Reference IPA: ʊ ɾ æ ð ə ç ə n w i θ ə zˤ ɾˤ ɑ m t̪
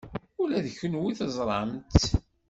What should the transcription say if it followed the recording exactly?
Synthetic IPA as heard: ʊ l æ ð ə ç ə n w i θ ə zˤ ɾˤ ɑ m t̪